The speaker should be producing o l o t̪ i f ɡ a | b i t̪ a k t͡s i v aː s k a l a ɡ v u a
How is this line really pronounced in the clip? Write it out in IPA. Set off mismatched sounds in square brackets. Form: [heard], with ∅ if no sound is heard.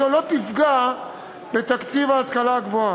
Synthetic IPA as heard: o l o t̪ i f ɡ a | b [e] t̪ a k t͡s i v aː s k a l a ɡ v [o] a